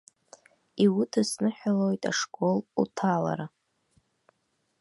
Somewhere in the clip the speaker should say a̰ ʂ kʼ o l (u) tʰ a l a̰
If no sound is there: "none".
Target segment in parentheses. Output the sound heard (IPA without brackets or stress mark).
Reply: u